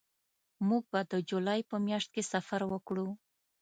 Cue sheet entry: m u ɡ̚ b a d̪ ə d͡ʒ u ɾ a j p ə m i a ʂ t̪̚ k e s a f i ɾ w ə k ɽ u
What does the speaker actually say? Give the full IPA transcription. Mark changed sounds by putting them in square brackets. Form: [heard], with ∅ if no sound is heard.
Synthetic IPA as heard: m u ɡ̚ b a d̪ ə d͡ʒ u [l] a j p ə m [j] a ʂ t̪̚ k e s a f [a] ɾ w ə k ɽ u

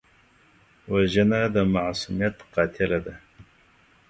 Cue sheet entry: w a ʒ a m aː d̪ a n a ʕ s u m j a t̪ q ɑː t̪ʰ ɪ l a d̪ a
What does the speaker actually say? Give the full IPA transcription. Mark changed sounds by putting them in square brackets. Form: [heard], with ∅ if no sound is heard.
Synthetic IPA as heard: w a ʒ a [n] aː d̪ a [m] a ʕ s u m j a t̪ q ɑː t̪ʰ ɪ l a d̪ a

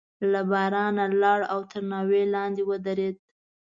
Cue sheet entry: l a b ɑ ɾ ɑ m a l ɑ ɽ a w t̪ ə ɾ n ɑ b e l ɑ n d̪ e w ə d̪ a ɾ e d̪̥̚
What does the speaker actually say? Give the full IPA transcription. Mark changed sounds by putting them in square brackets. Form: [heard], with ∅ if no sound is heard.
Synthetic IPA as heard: l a b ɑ ɾ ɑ [n] a l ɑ ɽ a w t̪ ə ɾ n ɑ [w] e l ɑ n d̪ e w ə d̪ a ɾ e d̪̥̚

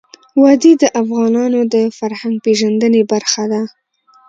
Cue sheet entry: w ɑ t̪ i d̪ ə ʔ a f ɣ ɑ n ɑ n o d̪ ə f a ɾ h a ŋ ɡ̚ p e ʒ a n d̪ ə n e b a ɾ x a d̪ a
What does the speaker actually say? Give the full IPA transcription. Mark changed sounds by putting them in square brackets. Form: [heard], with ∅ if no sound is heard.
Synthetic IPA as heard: w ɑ [d̪] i d̪ ə ʔ a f ɣ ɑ n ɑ n o d̪ ə f a ɾ h a ŋ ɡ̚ p e ʒ a n d̪ ə n e b a ɾ x a d̪ a

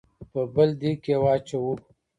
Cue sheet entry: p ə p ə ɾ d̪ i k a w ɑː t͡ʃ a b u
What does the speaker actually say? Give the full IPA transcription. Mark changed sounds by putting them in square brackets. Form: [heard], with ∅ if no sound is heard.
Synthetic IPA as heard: p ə [b] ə [l] d̪ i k [e] w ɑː t͡ʃ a [w] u

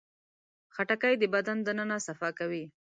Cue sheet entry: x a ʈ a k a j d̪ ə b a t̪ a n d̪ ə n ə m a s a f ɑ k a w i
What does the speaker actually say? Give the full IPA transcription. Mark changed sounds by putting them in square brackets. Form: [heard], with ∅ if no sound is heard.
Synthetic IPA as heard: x a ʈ a k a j d̪ ə b a [d̪] a n d̪ ə n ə [n] a s a f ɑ k a w i

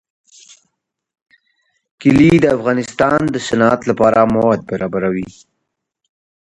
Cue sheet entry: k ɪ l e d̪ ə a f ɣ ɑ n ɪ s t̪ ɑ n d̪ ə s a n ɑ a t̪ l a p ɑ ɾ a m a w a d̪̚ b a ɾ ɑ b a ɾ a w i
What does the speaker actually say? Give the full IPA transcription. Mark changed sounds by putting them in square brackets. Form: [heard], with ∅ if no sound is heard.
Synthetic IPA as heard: k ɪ l [i] d̪ ə a f ɣ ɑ n ɪ s t̪ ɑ n d̪ ə s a n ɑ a t̪ l a p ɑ ɾ a m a w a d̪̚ b a ɾ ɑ b a ɾ a w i

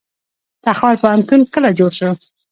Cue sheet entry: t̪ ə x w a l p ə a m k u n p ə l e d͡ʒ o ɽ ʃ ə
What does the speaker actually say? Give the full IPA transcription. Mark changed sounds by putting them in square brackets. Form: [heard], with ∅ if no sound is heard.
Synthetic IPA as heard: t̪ [a] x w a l p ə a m k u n [k] ə l [a] d͡ʒ o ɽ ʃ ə

